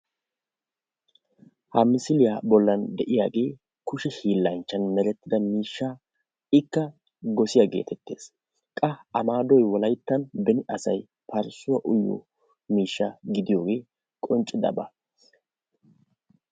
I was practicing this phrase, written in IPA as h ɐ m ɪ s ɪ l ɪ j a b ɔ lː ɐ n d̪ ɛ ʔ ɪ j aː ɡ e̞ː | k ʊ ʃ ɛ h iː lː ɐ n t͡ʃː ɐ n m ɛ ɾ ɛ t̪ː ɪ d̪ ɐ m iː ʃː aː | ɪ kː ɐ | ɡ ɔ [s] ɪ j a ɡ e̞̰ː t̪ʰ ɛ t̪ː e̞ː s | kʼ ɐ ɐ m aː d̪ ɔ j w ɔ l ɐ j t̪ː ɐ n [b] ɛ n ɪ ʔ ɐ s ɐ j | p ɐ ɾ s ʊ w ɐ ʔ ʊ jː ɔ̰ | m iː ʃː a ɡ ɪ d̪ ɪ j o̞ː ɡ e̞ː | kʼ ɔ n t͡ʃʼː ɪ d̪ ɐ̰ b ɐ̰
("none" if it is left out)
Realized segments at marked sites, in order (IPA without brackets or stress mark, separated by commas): s, b